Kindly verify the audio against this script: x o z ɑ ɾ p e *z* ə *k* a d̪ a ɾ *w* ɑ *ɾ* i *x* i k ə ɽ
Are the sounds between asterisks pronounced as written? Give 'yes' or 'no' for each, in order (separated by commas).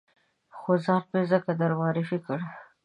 yes, yes, yes, yes, no